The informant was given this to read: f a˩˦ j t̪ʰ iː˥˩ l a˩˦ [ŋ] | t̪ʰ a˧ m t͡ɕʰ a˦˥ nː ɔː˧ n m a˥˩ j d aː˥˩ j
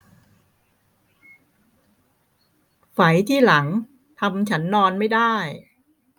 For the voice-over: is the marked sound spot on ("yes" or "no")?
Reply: yes